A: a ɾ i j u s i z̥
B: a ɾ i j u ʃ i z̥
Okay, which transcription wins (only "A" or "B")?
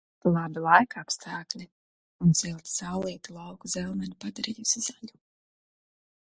A